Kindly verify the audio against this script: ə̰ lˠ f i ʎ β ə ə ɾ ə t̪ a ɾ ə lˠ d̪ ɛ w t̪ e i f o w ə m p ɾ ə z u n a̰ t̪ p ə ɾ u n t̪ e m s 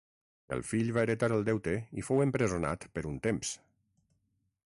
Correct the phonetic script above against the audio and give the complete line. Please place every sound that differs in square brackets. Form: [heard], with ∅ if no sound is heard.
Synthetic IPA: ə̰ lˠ f i ʎ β [a] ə ɾ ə t̪ a ɾ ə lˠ d̪ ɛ w t̪ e i f o w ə m p ɾ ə z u n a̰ t̪ p ə ɾ u n t̪ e m s